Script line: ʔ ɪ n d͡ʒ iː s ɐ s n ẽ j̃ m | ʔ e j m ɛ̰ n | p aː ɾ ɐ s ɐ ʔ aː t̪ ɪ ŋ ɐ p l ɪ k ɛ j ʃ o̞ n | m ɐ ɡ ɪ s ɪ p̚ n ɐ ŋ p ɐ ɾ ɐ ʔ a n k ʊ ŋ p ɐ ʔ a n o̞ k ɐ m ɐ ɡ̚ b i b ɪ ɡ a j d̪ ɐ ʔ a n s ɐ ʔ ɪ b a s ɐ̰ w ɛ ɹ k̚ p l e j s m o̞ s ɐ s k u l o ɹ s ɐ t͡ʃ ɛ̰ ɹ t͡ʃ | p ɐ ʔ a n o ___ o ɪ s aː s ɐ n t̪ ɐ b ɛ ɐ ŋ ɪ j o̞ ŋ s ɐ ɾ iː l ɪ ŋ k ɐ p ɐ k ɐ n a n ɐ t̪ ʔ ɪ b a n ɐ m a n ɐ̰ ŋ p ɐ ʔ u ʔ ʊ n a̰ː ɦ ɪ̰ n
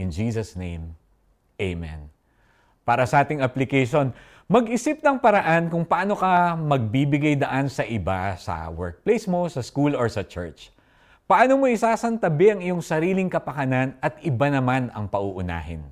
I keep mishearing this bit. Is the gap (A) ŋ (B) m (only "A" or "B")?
B